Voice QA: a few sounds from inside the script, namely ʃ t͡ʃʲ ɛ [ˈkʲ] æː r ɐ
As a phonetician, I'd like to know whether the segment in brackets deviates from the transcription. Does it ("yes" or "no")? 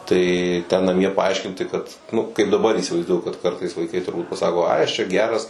yes